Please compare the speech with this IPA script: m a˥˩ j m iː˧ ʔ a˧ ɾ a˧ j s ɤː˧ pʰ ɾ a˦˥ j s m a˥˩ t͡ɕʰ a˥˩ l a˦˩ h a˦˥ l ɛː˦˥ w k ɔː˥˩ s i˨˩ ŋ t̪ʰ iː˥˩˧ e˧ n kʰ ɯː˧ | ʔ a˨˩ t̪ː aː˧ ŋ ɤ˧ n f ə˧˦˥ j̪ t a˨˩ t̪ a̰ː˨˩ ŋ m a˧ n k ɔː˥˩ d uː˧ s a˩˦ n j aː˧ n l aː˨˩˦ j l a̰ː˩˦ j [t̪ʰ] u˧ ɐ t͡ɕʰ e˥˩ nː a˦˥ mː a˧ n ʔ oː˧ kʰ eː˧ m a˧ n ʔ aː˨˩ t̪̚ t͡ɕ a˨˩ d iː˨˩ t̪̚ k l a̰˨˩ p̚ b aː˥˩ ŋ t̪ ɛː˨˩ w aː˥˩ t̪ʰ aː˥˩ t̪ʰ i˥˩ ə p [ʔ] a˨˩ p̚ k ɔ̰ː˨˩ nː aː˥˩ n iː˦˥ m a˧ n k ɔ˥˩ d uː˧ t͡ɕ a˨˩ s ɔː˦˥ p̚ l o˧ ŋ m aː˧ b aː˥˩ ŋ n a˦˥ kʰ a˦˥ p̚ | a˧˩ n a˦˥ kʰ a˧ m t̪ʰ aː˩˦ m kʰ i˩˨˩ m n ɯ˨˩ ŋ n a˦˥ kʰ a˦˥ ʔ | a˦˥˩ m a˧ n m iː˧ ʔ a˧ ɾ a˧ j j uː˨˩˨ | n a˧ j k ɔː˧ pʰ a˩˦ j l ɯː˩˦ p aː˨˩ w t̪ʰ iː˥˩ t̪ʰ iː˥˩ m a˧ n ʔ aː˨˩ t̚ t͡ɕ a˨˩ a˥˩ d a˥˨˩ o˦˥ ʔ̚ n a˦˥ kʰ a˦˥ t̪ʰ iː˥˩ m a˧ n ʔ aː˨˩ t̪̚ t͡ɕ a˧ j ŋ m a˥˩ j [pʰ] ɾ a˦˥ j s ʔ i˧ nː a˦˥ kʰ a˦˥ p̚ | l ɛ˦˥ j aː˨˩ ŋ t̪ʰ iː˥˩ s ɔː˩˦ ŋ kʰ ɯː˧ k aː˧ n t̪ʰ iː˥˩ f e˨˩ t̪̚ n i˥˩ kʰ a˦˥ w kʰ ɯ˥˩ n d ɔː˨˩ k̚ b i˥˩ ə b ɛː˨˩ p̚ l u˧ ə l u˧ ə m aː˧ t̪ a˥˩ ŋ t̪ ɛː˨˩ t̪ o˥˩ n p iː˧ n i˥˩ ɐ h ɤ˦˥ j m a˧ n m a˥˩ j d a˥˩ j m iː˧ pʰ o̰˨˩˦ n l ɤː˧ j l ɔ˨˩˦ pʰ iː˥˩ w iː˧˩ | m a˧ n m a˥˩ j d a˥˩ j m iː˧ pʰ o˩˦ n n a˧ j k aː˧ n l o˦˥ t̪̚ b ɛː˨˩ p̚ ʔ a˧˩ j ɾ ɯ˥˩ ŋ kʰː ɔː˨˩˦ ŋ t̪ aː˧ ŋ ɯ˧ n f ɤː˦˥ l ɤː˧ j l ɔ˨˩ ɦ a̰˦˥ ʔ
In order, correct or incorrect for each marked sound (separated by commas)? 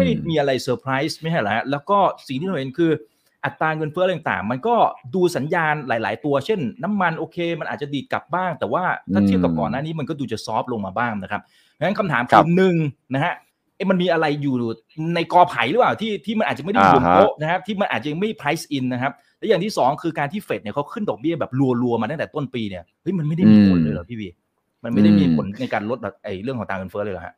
incorrect, incorrect, correct